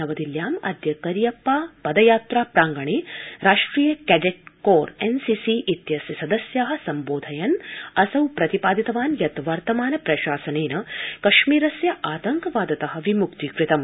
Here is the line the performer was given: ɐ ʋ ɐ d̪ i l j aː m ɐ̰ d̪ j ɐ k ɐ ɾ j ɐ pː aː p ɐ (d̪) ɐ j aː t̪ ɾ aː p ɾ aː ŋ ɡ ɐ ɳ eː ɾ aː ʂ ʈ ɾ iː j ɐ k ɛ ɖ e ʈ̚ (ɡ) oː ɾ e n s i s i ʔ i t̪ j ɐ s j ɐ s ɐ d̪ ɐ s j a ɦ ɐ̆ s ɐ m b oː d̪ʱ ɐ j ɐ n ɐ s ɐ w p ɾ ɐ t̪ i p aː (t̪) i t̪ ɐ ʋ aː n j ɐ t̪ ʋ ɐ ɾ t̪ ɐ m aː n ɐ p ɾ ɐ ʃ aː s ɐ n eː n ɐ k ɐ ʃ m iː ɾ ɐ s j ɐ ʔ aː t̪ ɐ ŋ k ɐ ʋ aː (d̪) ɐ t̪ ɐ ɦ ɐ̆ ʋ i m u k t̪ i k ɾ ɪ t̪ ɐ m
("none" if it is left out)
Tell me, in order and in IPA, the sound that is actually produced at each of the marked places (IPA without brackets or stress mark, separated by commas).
d̪, k, d̪, d̪